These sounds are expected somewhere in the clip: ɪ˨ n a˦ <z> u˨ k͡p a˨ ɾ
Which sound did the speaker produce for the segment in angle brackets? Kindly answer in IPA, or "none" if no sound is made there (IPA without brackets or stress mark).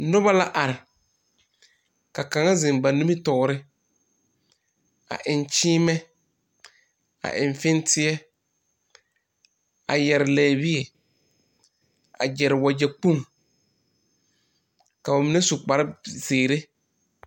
s